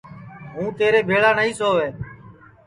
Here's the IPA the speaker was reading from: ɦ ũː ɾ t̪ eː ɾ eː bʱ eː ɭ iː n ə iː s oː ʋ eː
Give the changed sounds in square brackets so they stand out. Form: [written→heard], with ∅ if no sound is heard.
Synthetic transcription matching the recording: ɦ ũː [ɾ→∅] t̪ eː ɾ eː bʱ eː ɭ [iː→aː] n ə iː s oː ʋ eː

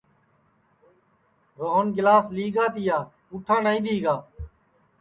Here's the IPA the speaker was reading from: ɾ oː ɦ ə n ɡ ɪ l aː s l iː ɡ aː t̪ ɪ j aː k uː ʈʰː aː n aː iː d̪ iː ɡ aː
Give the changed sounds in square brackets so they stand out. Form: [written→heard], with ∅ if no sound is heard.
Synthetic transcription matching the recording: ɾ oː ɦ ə n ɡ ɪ l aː s l iː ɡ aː t̪ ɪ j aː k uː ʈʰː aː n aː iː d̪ iː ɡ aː

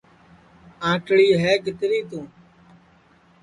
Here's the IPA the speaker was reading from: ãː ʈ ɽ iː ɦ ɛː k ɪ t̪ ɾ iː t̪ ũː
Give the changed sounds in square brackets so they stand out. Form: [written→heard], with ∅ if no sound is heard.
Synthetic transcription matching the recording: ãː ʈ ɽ iː ɦ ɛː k ɪ t̪ ɾ iː t̪ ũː

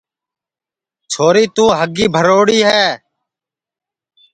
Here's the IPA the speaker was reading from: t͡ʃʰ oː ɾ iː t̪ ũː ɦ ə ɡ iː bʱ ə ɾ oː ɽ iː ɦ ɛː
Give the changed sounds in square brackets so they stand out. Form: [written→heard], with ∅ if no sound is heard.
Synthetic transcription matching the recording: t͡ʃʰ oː ɾ iː t̪ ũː ɦ ə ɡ iː bʱ ə ɾ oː ɽ iː ɦ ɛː

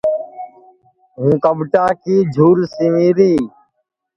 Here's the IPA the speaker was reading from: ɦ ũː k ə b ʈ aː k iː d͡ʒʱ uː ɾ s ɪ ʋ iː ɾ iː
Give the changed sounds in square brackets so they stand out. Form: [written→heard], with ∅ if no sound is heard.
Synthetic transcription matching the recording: ɦ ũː k ə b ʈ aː k iː d͡ʒʱ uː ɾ s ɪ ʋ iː ɾ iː

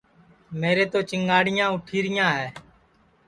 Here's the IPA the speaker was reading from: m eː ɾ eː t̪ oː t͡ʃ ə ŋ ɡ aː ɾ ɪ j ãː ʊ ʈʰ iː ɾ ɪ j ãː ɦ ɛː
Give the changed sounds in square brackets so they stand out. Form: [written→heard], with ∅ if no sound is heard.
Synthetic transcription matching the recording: m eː ɾ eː t̪ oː t͡ʃ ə ŋ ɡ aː [ɾ→ɽ] ɪ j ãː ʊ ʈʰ iː ɾ ɪ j ãː ɦ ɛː

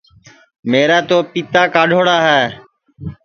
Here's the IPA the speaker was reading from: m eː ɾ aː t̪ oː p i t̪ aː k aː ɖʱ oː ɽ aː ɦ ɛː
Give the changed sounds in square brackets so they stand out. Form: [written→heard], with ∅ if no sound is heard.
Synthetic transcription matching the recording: m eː ɾ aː t̪ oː p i t̪ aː k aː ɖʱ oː ɽ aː ɦ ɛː

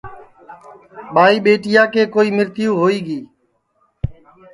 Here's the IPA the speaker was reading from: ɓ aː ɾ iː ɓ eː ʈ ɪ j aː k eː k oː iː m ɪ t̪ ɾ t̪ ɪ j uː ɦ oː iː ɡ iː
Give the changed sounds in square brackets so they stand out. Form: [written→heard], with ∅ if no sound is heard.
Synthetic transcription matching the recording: ɓ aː [ɾ→∅] iː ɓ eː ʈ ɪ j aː k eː k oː iː m ɪ [t̪→∅] ɾ t̪ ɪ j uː ɦ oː iː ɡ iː

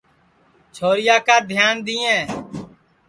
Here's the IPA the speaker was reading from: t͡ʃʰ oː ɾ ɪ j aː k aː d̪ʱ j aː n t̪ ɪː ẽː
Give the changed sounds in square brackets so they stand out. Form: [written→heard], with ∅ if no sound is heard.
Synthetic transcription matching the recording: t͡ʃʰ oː ɾ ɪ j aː k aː d̪ʱ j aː n [t̪→d̪] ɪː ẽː

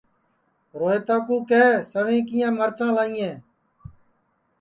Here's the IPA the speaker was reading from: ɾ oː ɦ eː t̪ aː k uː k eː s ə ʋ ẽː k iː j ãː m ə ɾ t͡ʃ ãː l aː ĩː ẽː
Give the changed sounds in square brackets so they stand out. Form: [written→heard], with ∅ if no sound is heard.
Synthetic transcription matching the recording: ɾ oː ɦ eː t̪ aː k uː k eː s ə ʋ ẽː k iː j ãː m ə ɾ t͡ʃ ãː l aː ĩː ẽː

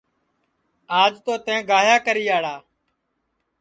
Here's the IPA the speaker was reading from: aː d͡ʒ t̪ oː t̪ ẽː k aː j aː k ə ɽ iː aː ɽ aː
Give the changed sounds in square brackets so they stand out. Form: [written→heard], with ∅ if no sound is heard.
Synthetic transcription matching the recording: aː d͡ʒ t̪ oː t̪ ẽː [k→ɡ] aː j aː k ə [ɽ→ɾ] iː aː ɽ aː

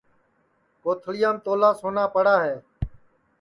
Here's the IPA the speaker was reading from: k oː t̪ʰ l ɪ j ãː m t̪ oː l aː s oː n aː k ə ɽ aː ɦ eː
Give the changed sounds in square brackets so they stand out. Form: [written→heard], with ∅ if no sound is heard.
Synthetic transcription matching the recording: k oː t̪ʰ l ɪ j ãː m t̪ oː l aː s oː n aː [k→p] ə ɽ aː ɦ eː

